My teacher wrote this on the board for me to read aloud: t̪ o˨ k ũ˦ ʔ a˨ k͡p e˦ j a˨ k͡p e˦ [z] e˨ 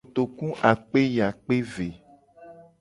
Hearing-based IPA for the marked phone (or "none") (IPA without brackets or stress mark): v